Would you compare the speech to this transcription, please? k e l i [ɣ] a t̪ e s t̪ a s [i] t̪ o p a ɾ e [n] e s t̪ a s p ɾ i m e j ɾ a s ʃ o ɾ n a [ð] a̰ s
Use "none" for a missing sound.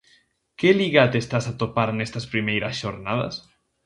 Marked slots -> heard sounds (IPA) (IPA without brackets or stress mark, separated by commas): ɣ, a, n, ð